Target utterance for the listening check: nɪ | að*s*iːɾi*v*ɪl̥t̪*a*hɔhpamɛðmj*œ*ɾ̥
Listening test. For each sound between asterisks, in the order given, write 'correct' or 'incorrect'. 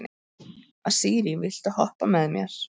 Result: correct, correct, correct, incorrect

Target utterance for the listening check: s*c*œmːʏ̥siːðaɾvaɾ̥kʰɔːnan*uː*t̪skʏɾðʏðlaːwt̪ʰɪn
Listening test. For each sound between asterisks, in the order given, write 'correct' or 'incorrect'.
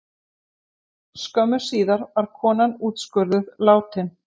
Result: incorrect, correct

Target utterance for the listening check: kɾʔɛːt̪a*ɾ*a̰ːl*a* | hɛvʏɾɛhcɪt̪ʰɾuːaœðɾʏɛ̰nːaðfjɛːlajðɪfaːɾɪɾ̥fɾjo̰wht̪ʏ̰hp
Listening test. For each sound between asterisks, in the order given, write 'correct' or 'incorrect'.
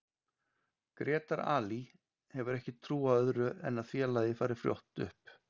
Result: correct, incorrect

